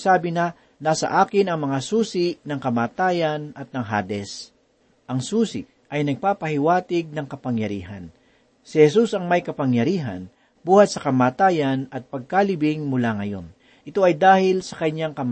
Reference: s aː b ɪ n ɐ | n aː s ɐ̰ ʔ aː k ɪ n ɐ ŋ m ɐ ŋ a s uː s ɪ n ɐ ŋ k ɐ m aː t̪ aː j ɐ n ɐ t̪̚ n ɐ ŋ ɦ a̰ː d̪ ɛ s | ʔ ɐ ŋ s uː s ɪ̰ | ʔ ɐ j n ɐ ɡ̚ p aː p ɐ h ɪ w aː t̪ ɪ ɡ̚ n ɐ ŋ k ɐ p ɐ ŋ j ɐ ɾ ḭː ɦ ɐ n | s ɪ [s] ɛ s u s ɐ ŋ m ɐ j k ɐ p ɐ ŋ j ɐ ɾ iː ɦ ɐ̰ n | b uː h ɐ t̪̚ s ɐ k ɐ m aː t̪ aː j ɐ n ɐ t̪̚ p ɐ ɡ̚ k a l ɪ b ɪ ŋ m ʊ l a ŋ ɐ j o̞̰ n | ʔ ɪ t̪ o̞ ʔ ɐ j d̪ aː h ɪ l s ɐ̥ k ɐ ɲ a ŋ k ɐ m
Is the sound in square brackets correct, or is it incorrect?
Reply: incorrect